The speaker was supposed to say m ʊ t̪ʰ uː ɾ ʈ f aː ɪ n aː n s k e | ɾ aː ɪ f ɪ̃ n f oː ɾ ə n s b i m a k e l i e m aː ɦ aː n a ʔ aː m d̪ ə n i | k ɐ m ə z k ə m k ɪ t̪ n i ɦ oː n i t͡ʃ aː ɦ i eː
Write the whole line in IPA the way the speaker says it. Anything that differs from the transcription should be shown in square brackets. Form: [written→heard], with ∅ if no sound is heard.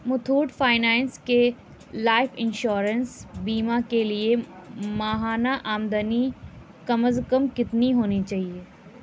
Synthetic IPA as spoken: m ʊ t̪ʰ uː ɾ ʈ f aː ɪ n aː n s k e | [ɾ→l] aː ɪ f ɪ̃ n [f→ʃ] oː ɾ ə n s b [i→iː] m a k e l i e m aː ɦ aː n a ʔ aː m d̪ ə n i | k ɐ m ə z k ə m k ɪ t̪ n i ɦ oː n i t͡ʃ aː ɦ i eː